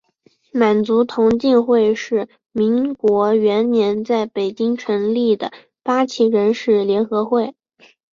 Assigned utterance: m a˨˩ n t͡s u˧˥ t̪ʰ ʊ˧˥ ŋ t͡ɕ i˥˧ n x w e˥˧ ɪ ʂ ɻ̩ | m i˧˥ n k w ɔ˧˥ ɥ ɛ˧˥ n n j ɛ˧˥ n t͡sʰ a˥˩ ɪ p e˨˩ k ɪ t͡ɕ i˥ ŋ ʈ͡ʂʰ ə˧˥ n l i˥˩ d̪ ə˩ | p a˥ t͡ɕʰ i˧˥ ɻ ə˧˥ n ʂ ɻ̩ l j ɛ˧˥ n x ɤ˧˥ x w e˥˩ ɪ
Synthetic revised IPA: m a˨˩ n t͡s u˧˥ t̪ʰ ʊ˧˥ ŋ t͡ɕ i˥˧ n x w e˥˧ ɪ ʂ ɻ̩ | m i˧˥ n k w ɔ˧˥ ɥ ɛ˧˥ n n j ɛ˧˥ n t͡s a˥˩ ɪ p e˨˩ ɪ t͡ɕ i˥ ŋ ʈ͡ʂʰ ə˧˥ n l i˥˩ d̪ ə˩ | p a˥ t͡ɕʰ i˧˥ ɻ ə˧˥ n ʂ ɻ̩ l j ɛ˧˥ n x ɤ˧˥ x w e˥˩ ɪ